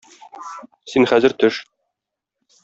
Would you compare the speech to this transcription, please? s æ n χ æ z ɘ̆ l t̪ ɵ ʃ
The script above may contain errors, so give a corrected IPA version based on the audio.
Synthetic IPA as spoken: s i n χ æ z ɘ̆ ɾ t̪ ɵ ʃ